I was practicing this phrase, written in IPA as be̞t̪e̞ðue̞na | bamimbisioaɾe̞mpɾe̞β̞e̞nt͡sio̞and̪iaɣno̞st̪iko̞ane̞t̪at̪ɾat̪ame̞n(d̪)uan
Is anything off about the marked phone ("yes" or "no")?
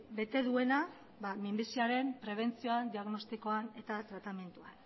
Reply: yes